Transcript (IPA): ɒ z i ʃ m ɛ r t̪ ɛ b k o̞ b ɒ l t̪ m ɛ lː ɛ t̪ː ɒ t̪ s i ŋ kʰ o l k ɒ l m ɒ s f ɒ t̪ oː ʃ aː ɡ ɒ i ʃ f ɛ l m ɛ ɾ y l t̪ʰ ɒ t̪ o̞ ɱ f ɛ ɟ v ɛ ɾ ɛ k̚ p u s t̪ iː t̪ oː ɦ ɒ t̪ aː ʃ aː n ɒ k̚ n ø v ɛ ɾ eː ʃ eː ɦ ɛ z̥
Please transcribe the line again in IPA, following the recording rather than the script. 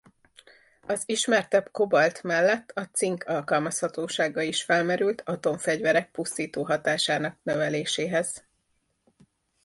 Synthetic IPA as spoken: ɒ z i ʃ m ɛ r t̪ ɛ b k o̞ b ɒ l t̪ m ɛ lː ɛ t̪ː ɒ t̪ s i ŋ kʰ ɒ l k ɒ l m ɒ s h ɒ t̪ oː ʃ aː ɡ ɒ i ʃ f ɛ l m ɛ ɾ y l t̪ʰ ɒ t̪ o̞ ɱ f ɛ ɟ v ɛ ɾ ɛ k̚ p u s t̪ iː t̪ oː ɦ ɒ t̪ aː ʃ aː n ɒ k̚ n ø v ɛ l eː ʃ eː ɦ ɛ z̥